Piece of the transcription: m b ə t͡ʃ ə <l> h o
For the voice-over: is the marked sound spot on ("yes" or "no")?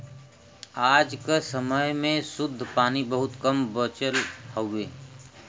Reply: yes